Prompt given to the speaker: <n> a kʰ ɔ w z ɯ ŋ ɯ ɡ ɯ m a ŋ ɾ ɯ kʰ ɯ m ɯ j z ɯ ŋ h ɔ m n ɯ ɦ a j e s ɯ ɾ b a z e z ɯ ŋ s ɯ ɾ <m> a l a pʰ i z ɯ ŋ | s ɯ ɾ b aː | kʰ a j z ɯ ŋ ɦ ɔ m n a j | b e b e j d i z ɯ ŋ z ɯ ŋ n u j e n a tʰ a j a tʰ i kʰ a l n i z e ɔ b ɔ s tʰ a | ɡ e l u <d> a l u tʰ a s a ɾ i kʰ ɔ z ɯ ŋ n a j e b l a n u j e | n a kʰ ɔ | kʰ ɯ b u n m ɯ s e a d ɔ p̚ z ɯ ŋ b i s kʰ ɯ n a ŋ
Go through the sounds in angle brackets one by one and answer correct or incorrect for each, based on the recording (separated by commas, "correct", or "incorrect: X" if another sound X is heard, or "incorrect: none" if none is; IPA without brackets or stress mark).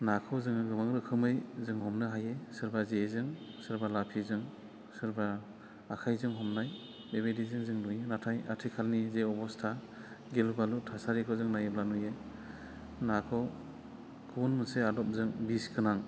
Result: correct, incorrect: b, incorrect: b